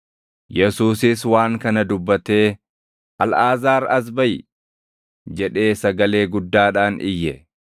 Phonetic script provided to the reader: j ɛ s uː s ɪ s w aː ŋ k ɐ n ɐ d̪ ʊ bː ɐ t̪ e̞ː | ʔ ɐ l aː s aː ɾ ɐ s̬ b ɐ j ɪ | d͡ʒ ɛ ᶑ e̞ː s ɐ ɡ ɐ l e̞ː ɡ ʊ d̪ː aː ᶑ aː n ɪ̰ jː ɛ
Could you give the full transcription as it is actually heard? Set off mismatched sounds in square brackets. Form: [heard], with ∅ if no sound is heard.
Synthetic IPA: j ɛ s uː s ɪ s w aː ŋ k ɐ n ɐ d̪ ʊ bː ɐ t̪ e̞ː | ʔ ɐ l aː [z] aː ɾ ɐ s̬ b ɐ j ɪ | d͡ʒ ɛ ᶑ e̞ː s ɐ ɡ ɐ l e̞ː ɡ ʊ d̪ː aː ᶑ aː n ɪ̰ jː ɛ

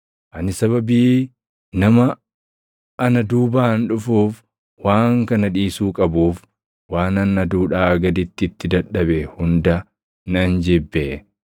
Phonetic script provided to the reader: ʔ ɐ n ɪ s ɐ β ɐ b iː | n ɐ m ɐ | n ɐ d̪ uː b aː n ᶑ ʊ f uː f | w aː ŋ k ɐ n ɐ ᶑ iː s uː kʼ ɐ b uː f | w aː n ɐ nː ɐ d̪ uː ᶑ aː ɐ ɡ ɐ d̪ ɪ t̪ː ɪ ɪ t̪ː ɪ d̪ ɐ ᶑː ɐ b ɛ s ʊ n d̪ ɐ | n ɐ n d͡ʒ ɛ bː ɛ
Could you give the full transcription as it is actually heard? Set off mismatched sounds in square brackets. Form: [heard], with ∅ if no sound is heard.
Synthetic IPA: ʔ ɐ n ɪ s ɐ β ɐ b iː | n ɐ m ɐ | n ɐ d̪ uː b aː n ᶑ ʊ f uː f | w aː ŋ k ɐ n ɐ ᶑ iː s uː kʼ ɐ b uː f | w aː n ɐ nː ɐ d̪ uː ᶑ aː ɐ ɡ ɐ d̪ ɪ t̪ː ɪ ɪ t̪ː ɪ d̪ ɐ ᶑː ɐ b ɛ [h] ʊ n d̪ ɐ | n ɐ n d͡ʒ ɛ bː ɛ

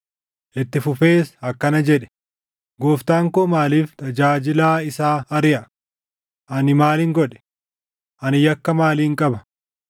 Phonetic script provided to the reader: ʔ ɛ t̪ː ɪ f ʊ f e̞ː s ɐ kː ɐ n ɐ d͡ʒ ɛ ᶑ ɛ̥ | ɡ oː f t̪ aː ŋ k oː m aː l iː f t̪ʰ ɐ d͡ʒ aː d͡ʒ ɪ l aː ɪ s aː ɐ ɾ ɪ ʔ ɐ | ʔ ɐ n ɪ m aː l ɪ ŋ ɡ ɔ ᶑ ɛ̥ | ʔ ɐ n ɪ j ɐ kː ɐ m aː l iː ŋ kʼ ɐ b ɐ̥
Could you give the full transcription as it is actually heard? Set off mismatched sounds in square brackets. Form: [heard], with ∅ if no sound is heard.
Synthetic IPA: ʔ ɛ t̪ː ɪ f ʊ f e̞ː s ɐ kː ɐ n ɐ d͡ʒ ɛ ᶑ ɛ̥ | ɡ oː f t̪ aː ŋ k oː m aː l iː f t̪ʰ ɐ d͡ʒ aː d͡ʒ ɪ l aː ɪ s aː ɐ ɾ ɪ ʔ ɐ | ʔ ɐ n ɪ m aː l ɪ ŋ ɡ ɔ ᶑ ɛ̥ | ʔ ɐ n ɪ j ɐ kː ɐ m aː l iː ŋ kʼ ɐ b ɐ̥

